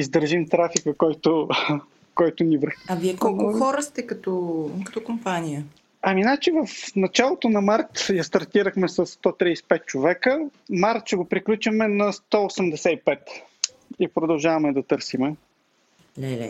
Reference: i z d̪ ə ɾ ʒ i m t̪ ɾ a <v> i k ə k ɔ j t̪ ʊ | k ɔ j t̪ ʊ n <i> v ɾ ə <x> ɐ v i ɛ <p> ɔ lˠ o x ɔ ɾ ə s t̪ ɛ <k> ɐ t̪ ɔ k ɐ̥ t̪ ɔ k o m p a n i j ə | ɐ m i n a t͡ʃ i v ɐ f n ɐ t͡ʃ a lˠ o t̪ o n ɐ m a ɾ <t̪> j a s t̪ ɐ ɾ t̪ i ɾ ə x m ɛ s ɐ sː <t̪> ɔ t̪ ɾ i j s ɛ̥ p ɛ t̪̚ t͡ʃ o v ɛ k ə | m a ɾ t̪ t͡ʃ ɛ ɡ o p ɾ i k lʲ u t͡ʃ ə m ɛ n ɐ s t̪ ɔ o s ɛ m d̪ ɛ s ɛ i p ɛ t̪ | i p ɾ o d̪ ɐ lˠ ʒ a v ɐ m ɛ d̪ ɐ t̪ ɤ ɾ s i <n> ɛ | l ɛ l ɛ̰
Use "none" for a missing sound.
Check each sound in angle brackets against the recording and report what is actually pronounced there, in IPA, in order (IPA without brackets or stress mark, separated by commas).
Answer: f, i, x, k, k, t̪, t̪, m